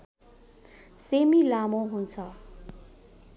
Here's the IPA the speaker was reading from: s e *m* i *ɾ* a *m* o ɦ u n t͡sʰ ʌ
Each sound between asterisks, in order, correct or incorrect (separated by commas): correct, incorrect, correct